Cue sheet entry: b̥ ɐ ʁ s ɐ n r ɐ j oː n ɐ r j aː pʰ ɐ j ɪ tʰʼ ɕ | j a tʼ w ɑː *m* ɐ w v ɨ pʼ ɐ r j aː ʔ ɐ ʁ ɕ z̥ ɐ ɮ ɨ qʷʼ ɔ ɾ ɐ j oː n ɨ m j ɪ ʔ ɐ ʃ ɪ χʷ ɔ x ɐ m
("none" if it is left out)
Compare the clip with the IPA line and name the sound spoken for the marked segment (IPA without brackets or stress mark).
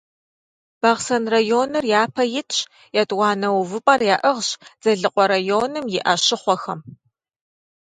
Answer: n